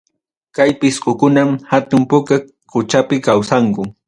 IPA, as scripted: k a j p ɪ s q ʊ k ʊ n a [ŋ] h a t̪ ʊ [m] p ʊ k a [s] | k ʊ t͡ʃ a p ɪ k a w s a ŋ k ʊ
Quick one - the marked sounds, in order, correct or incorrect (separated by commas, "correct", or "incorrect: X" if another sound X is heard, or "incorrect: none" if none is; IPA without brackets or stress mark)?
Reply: incorrect: m, correct, incorrect: none